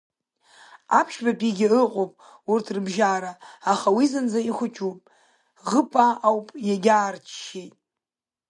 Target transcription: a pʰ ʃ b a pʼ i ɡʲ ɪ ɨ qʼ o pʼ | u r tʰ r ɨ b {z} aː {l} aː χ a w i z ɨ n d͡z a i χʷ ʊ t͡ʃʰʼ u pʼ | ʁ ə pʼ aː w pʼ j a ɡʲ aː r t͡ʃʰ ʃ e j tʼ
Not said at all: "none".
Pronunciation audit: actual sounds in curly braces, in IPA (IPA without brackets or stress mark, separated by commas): ʒ, ɾ